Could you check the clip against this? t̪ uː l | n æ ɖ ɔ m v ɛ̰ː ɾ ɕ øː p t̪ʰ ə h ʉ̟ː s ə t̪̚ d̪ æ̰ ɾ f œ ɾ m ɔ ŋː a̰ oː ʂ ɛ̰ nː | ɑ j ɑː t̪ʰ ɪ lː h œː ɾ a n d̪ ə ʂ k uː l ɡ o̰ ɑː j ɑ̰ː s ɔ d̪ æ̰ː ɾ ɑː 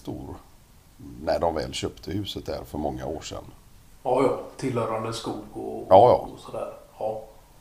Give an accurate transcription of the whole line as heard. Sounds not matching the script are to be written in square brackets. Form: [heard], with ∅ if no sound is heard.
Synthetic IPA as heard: t̪ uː [ɾ] | n æ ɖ ɔ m v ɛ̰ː [l] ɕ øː p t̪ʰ ə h ʉ̟ː s ə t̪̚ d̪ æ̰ ɾ f œ ɾ m ɔ ŋː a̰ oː ʂ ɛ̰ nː | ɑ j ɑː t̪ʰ ɪ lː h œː ɾ a n d̪ ə [s] k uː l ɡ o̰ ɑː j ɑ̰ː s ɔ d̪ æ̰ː ɾ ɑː